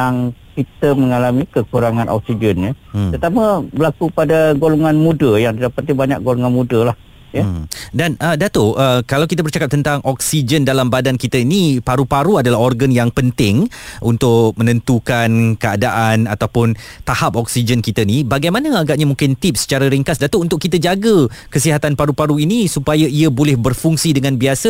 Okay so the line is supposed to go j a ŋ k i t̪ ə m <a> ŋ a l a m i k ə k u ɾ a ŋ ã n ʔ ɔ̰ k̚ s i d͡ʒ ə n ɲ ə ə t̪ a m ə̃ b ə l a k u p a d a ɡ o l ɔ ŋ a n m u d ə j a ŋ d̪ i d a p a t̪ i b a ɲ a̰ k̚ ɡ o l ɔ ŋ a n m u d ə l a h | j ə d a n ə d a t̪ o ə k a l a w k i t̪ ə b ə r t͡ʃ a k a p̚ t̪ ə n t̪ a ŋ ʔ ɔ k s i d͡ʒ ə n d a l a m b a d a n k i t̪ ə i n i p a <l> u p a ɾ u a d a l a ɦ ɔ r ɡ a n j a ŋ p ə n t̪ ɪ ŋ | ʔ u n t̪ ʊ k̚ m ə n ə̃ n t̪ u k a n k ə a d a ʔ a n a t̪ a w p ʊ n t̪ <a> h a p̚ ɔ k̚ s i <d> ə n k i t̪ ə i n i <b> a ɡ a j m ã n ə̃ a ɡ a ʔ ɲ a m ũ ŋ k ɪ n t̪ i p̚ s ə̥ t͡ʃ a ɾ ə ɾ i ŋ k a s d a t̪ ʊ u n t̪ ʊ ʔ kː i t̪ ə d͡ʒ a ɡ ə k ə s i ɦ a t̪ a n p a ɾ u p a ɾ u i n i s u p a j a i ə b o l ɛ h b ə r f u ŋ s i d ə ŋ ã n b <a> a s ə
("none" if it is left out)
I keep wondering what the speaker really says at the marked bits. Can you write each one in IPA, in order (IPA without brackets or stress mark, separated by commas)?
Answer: ə, ɾ, a, d͡ʒ, b, i